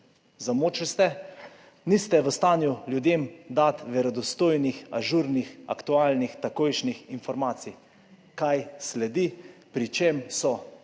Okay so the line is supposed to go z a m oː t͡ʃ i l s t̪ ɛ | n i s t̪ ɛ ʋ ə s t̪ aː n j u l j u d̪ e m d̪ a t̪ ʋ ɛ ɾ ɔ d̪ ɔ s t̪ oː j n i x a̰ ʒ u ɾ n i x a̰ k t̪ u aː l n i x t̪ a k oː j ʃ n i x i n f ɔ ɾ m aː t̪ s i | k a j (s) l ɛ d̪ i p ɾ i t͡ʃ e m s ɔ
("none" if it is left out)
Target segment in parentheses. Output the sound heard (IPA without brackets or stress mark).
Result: s